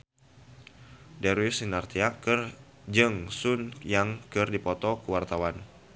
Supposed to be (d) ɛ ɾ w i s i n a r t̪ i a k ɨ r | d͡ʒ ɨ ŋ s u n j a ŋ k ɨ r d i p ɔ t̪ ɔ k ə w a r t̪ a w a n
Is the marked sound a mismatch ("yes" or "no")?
no